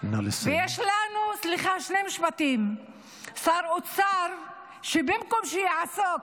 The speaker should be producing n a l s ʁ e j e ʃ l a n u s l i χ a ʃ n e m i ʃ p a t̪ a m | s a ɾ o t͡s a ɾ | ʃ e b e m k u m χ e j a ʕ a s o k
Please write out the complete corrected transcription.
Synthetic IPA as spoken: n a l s v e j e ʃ l a n u s l i χ a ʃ n e m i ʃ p a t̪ i m | s a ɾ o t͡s a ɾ | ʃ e b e m k o m ʃ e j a ʕ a s o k